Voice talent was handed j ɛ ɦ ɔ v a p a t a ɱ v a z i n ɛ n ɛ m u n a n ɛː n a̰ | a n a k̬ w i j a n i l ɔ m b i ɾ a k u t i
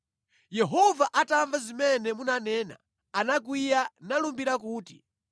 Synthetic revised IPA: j ɛ ɦ ɔ v a ʔ a t a ɱ v a z i m ɛ n ɛ m u n a n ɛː n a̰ | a n a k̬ w i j a n a l u m b i ɾ a k uː t i